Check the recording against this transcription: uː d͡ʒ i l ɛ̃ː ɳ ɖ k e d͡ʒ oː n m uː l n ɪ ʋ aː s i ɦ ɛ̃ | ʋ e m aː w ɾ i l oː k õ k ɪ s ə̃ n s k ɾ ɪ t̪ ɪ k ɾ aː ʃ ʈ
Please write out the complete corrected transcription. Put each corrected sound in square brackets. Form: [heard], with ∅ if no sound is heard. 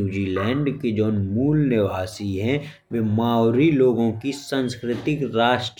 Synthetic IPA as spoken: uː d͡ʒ i l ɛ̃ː ɳ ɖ k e d͡ʒ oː n m uː l n ɪ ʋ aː s i ɦ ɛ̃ | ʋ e m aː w ɾ i l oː [ɡ] õ k [i] s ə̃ n s k ɾ ɪ t̪ ɪ k ɾ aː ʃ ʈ